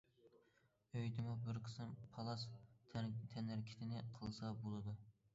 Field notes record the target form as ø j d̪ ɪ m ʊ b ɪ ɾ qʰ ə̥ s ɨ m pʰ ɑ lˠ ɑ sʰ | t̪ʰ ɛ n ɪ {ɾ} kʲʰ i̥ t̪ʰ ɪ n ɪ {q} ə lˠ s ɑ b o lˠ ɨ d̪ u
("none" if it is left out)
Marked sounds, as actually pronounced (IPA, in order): ɾ, qʰ

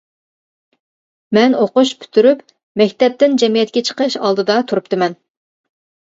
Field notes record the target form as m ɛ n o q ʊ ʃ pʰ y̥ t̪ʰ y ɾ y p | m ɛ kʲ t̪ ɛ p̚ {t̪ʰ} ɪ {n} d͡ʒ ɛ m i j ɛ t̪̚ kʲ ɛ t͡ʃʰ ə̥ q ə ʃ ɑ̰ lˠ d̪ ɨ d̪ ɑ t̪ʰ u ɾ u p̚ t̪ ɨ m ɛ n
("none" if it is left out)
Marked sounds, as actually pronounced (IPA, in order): t̪, n

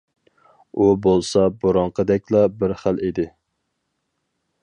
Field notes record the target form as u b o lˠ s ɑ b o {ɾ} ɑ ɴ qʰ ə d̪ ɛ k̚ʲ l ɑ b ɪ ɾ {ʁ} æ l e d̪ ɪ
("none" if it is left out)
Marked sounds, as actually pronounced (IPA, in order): ɾ, χ

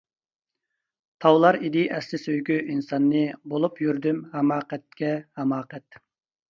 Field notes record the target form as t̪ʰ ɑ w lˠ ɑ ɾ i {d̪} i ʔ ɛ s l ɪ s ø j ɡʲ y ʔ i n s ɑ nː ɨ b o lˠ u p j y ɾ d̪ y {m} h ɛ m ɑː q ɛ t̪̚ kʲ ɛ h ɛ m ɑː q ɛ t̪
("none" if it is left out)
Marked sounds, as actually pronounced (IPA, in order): d̪, m

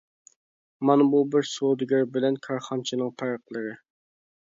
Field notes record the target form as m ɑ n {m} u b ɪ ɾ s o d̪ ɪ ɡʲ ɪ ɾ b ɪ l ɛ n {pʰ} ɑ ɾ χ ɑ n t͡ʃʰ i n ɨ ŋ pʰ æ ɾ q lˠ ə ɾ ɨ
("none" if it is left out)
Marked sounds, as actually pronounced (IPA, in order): b, kʰ

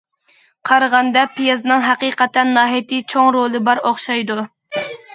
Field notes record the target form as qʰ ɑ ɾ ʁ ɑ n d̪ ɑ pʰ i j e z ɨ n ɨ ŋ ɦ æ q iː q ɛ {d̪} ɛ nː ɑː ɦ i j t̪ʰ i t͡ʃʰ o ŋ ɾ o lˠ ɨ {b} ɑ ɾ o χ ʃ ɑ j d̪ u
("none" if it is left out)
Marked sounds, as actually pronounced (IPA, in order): t̪, b

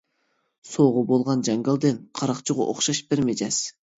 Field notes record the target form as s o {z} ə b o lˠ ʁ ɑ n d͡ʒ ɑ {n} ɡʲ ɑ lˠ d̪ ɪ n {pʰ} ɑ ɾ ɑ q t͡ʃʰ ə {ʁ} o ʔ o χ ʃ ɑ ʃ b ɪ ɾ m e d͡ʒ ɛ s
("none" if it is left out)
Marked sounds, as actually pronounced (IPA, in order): ʁ, ŋ, qʰ, ʁ

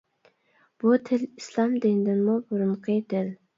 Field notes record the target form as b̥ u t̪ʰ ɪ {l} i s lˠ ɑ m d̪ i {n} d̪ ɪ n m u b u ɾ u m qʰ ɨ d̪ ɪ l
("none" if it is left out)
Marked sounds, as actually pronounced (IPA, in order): l, n

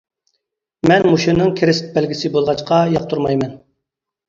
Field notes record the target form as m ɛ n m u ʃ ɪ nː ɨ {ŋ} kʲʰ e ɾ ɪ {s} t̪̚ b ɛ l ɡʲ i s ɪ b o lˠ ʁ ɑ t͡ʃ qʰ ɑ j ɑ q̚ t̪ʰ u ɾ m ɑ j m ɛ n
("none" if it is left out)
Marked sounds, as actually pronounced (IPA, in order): ŋ, s

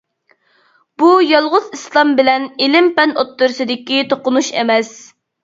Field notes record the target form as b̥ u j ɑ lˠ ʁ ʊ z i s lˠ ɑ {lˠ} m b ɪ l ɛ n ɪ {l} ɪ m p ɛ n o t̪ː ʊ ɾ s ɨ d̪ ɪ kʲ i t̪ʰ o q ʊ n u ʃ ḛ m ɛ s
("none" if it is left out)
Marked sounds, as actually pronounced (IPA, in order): none, l

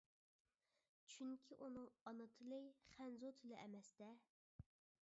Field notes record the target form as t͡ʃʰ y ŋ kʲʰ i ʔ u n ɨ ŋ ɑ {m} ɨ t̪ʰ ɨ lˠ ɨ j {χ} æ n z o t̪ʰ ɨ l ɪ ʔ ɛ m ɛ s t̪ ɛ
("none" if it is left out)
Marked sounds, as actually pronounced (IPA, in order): n, χ

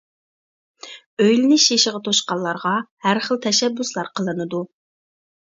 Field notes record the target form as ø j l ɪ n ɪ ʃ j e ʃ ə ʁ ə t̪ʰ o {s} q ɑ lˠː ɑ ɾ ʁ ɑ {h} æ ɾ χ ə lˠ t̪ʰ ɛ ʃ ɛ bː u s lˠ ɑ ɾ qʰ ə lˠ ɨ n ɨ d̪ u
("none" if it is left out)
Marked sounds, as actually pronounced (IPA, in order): ʃ, h

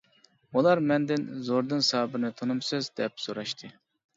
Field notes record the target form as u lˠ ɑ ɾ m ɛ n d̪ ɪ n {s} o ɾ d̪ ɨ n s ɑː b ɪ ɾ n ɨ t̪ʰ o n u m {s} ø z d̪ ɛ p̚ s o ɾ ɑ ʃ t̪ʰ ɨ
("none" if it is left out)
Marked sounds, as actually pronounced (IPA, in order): z, s

